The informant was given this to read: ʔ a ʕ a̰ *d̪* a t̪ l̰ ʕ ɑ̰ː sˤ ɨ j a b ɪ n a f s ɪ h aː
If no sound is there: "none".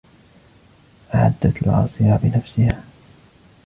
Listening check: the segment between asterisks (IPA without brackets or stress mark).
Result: d̪ː